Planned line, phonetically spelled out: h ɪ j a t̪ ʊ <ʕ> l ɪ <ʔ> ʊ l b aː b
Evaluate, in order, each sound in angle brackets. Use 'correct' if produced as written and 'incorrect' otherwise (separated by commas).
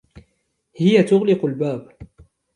incorrect, incorrect